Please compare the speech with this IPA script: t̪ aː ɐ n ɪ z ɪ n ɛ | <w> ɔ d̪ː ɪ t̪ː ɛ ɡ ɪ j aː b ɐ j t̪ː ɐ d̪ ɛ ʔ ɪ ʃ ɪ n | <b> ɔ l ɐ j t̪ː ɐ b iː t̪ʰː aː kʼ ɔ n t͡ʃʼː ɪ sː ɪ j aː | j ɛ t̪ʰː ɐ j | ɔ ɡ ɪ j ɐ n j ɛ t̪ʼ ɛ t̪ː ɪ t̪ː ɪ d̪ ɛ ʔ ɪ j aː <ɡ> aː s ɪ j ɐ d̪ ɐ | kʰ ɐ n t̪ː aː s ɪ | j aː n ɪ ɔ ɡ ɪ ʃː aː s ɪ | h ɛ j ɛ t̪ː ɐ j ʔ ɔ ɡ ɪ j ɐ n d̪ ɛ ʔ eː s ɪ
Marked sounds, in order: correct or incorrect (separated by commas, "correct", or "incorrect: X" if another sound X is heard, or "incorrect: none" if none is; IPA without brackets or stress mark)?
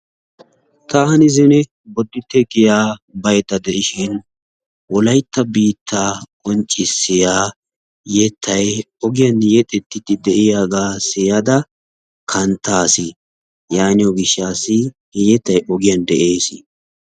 incorrect: b, incorrect: w, correct